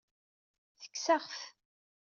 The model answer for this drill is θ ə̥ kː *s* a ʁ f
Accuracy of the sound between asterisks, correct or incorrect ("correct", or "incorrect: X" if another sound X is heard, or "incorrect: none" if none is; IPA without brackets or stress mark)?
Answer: correct